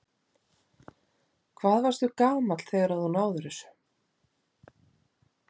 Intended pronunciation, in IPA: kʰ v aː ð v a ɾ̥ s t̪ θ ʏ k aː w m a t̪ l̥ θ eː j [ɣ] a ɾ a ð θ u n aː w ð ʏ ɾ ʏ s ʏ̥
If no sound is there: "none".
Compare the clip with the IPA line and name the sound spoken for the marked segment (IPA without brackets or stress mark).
ɣ